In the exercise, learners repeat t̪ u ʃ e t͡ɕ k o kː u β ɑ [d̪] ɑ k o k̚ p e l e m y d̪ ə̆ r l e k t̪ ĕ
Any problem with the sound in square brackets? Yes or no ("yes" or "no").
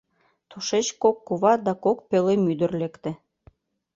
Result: no